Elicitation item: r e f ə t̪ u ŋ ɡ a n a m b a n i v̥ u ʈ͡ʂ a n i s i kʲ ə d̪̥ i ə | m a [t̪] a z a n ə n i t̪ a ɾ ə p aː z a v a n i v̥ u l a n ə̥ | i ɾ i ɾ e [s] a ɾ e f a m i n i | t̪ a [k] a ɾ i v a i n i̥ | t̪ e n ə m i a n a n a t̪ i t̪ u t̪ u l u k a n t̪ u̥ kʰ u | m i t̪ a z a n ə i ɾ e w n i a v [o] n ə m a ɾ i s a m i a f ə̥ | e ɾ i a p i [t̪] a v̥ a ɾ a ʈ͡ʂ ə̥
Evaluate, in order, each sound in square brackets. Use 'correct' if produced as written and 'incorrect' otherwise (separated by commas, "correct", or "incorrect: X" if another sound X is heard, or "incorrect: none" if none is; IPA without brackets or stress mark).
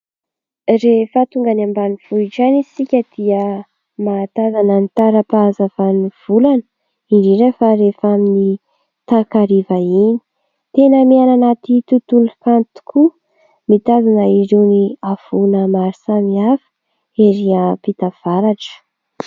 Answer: correct, incorrect: f, correct, incorrect: u, correct